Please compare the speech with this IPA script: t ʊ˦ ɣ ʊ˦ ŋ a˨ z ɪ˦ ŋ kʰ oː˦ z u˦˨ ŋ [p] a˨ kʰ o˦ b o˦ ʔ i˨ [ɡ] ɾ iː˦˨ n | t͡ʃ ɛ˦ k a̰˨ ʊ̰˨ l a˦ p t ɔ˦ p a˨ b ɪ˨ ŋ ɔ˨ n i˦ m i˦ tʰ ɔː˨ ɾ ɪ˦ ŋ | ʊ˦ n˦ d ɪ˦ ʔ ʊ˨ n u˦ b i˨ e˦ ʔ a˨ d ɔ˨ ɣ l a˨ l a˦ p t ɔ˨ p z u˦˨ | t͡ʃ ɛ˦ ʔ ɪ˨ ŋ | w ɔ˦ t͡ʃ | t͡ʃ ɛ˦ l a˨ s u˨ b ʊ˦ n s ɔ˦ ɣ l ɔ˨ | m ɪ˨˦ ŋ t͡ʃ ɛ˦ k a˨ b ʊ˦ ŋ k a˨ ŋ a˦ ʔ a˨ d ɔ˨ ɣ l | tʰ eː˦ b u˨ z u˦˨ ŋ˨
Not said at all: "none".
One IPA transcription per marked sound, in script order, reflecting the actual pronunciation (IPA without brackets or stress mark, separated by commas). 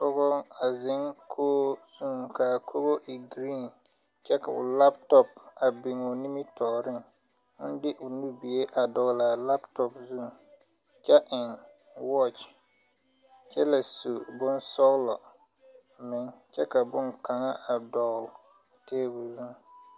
k, ɡ